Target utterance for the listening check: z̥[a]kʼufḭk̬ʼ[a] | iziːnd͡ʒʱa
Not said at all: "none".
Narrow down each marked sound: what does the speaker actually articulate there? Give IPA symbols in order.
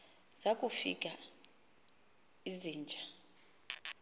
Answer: a, a

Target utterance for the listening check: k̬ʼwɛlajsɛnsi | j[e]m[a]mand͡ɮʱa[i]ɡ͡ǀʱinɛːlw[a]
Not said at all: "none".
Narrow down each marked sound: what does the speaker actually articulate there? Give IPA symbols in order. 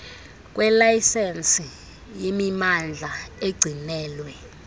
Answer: e, i, e, ɛ

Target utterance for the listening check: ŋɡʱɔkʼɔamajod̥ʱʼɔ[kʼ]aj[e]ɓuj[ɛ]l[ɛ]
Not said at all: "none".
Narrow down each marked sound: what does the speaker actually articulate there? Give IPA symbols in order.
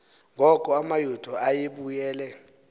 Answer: none, e, ɛː, ɛ

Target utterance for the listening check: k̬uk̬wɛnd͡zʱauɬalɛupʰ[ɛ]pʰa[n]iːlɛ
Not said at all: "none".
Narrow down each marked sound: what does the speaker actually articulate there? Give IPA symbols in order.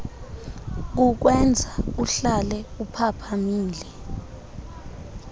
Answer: a, m

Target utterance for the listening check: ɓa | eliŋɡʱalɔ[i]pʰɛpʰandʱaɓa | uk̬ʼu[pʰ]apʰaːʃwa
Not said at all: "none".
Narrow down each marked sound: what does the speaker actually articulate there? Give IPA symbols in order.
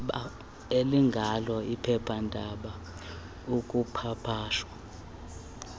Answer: i, pʰ

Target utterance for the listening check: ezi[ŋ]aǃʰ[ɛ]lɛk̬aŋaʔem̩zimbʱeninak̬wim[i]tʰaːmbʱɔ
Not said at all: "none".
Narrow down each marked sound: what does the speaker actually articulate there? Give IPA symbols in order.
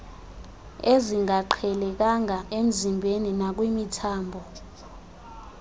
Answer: ŋ, ɛ, i

